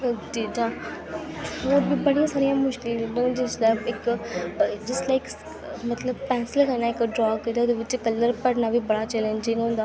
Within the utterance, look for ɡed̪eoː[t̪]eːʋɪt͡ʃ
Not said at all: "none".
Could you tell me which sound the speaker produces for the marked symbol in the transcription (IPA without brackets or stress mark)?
d̪